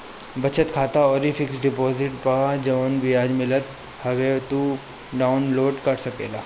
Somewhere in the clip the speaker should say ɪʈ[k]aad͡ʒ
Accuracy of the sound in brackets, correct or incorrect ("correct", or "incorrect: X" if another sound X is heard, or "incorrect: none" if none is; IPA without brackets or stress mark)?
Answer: incorrect: p